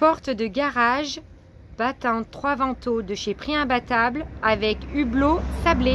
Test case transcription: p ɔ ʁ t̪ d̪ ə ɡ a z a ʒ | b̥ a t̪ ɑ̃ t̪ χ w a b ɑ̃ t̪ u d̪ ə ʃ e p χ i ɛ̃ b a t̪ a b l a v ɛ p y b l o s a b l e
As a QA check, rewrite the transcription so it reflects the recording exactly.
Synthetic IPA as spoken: p ɔ ʁ t̪ d̪ ə ɡ a ʁ a ʒ | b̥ a t̪ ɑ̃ t̪ χ w a v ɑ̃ t̪ o d̪ ə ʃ e p χ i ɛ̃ b a t̪ a b l a v ɛ k y b l o s a b l e